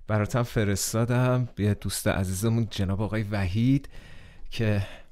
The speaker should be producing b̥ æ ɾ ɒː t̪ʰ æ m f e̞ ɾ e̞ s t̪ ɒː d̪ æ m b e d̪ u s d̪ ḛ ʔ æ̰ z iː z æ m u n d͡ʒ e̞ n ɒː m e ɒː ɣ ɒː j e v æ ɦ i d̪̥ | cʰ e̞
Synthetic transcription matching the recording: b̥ æ ɾ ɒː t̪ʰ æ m f e̞ ɾ e̞ s t̪ ɒː d̪ æ m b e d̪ u s t̪ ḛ ʔ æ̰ z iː z e m u n d͡ʒ e̞ n ɒː b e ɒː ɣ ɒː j e v æ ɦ i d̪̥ | cʰ e̞